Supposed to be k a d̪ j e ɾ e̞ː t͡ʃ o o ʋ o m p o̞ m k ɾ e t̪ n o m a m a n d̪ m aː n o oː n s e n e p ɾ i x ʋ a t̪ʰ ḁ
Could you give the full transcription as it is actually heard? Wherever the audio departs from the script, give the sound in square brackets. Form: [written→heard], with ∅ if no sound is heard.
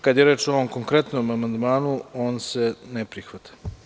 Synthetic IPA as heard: k a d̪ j e ɾ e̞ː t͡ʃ o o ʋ o m [p→k] o̞ [m→ŋ] k ɾ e t̪ n o m a m a n d̪ m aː n [o→u] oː n s e n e p ɾ i x ʋ a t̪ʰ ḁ